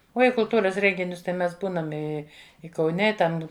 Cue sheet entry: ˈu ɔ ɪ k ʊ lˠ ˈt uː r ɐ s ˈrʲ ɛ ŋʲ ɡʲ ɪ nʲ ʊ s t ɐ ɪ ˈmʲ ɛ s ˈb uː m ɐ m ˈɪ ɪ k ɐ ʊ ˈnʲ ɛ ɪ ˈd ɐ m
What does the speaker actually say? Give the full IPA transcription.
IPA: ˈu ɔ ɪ k ʊ lˠ ˈt uː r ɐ s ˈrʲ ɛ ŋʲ ɡʲ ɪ nʲ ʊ s t ɐ ɪ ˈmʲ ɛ s ˈb uː n ɐ m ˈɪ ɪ k ɐ ʊ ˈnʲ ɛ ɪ ˈt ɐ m